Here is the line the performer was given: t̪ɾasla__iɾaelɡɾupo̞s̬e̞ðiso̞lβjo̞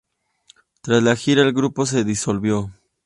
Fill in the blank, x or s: x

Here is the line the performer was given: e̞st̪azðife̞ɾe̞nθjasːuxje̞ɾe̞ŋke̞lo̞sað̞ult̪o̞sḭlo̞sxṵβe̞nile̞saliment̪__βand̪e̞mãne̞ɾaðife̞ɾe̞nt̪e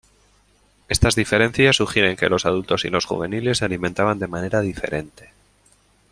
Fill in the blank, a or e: a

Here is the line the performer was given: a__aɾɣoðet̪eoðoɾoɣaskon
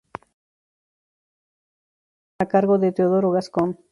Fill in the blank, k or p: k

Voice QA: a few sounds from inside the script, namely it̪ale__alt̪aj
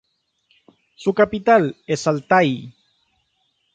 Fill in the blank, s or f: s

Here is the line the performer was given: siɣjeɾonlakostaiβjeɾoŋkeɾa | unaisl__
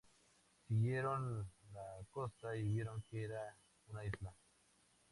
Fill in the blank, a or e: a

